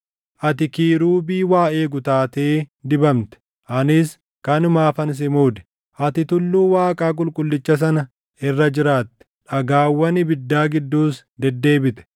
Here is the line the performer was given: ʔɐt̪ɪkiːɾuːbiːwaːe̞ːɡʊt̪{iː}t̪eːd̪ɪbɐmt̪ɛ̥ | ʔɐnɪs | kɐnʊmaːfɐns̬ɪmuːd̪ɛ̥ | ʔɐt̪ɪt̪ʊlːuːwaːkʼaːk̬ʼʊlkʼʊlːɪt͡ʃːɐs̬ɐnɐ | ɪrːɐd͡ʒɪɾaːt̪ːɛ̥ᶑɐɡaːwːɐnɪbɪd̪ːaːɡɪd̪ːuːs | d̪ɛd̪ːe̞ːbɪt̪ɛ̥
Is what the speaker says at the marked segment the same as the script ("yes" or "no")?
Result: no